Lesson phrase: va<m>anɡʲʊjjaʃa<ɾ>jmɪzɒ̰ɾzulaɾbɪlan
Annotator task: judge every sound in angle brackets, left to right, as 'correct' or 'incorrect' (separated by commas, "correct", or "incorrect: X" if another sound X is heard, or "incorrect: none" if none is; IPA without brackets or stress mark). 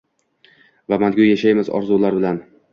correct, incorrect: none